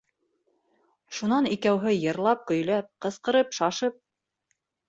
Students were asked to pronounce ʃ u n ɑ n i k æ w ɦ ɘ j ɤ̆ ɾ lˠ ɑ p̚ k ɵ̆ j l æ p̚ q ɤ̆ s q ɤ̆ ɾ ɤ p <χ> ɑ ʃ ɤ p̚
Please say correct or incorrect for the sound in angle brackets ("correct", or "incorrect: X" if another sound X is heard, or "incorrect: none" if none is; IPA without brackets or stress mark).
incorrect: ʃ